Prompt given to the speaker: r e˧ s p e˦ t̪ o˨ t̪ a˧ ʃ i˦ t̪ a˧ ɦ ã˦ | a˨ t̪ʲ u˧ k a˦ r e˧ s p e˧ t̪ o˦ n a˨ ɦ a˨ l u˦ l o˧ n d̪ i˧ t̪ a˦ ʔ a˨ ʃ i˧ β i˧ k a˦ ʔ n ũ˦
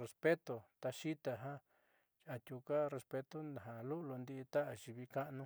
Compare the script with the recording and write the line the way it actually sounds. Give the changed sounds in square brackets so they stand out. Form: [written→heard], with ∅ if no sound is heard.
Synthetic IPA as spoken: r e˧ s p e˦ t̪ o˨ t̪ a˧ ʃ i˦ t̪ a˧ ɦ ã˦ | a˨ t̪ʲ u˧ k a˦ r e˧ s p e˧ t̪ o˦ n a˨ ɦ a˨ l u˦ l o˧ n d̪ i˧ t̪ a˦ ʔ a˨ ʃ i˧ β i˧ k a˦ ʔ n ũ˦